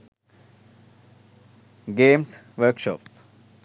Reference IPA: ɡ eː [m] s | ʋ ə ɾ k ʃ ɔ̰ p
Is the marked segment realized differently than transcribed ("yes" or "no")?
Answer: no